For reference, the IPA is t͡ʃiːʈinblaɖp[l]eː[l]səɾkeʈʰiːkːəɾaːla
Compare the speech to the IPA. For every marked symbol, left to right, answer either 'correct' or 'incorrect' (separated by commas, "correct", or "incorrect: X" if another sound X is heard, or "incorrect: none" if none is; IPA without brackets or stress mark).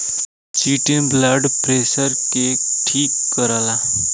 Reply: incorrect: ɾ, incorrect: none